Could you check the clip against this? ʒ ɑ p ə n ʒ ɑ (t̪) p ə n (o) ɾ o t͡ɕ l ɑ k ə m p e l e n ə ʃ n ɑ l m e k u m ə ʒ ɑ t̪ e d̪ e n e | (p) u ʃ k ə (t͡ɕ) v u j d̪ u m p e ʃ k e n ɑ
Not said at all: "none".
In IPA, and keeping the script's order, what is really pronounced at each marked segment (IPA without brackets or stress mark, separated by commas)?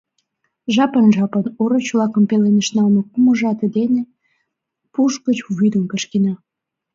none, o, p, t͡ɕ